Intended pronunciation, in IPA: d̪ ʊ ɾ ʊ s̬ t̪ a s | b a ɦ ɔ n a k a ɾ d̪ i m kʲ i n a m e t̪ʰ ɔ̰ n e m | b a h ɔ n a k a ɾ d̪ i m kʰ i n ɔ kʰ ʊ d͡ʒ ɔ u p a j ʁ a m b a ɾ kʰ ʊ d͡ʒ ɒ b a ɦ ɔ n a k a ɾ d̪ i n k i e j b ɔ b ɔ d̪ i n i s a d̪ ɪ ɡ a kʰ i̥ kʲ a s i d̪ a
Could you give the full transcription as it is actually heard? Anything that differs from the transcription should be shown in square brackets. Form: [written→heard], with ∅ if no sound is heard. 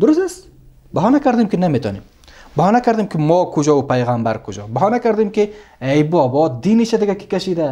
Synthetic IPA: d̪ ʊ ɾ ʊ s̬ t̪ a s | b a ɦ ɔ n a k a ɾ d̪ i m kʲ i n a m e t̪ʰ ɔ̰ n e m | b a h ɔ n a k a ɾ d̪ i m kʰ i [n→m] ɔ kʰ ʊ d͡ʒ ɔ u p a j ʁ a m b a ɾ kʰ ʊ d͡ʒ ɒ b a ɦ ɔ n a k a ɾ d̪ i [n→m] k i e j b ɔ b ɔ d̪ i n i [s→ʃ] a d̪ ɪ ɡ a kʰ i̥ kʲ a [s→ʃ] i d̪ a